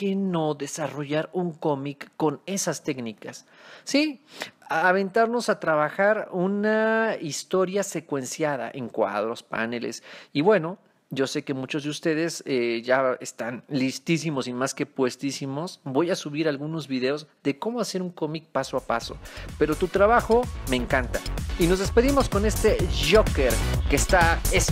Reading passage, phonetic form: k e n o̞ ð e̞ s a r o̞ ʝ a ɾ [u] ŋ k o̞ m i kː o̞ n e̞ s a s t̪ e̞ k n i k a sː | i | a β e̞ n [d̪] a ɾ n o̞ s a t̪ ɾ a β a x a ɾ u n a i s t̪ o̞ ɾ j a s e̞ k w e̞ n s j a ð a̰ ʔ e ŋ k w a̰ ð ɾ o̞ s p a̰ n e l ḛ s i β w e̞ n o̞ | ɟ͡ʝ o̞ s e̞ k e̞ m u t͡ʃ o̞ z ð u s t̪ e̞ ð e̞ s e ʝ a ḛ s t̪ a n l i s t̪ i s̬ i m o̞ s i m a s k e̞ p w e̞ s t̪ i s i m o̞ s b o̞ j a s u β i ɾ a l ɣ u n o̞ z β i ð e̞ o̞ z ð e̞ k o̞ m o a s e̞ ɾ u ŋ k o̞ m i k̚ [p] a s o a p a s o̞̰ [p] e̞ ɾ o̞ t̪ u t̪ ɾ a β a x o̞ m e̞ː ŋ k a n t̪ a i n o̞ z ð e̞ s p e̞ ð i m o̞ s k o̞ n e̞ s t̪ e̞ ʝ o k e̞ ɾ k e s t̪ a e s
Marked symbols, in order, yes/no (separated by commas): yes, no, yes, yes